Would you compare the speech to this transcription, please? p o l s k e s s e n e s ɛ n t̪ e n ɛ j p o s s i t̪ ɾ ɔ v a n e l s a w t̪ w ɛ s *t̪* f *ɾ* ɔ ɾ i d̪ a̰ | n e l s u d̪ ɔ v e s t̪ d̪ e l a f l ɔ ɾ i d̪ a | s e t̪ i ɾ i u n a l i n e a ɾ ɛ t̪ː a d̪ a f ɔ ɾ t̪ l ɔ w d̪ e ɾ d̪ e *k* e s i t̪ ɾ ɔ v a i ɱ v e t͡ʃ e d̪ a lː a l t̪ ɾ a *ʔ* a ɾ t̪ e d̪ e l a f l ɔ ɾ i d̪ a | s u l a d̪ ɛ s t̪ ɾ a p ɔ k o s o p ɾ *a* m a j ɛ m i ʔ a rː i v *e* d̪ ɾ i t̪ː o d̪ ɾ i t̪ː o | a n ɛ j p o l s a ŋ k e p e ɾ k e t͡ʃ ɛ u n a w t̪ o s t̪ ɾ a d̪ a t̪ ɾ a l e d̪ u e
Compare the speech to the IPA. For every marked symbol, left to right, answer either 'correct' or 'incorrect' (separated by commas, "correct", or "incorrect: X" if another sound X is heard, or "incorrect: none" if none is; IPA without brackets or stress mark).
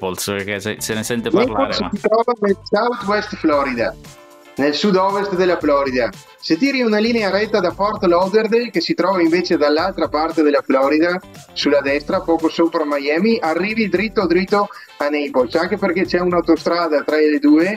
correct, incorrect: l, correct, incorrect: p, correct, incorrect: i